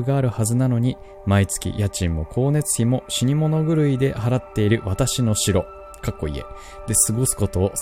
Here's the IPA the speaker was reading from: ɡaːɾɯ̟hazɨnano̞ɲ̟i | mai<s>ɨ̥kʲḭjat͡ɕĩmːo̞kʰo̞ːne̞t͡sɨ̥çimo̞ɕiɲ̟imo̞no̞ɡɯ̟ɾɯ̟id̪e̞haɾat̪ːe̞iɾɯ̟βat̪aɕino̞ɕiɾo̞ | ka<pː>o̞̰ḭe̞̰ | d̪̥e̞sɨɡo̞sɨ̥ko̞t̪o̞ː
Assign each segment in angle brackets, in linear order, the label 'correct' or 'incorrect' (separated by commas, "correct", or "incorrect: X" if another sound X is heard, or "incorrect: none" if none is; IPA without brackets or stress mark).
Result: incorrect: t͡s, incorrect: kː